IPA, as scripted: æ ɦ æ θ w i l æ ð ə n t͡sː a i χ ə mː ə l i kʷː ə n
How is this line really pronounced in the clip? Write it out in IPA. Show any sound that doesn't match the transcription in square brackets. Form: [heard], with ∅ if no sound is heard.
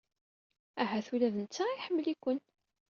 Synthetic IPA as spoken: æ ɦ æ θ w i l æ ð ə n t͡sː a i [ħ] ə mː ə l i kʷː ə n